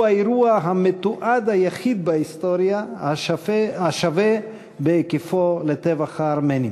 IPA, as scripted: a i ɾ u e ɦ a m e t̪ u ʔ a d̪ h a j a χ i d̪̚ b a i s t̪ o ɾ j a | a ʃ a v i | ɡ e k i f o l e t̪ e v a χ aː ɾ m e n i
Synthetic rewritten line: a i ɾ u a ɦ a m e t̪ u ʔ a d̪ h a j a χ i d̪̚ b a i s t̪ o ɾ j a | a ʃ a v e | b e k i f o l e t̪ e v a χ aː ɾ m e n i